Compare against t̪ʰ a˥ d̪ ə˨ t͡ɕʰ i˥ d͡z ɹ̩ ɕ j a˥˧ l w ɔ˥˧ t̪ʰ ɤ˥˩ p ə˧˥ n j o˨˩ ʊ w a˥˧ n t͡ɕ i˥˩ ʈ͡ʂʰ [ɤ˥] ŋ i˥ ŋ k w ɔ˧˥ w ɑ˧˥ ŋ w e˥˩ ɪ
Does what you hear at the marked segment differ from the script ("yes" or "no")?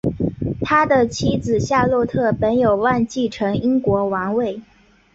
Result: yes